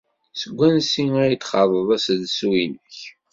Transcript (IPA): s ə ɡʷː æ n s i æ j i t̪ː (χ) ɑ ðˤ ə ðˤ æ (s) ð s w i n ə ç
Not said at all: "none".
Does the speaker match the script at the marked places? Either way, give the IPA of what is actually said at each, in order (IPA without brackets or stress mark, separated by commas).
χ, s